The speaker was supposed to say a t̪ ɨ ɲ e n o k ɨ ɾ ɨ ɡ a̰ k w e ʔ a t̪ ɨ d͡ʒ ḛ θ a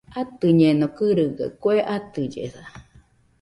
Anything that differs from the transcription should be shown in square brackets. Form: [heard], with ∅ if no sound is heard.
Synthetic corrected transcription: a t̪ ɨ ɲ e n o k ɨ ɾ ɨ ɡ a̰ k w e ʔ a t̪ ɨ d͡ʒ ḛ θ a